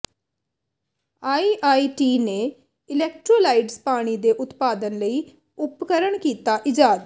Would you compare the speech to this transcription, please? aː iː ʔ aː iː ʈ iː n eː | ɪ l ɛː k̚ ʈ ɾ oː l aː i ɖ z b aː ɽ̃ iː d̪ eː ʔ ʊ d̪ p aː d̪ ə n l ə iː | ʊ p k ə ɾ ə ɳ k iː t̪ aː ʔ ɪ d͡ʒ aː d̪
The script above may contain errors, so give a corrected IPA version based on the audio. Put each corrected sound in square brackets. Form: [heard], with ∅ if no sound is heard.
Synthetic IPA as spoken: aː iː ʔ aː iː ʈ iː n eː | ɪ l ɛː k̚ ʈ ɾ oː l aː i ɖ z [p] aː ɽ̃ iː d̪ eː ʔ ʊ [t̪] p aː d̪ ə n l ə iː | ʊ p k ə ɾ ə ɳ k iː t̪ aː ʔ ɪ d͡ʒ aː d̪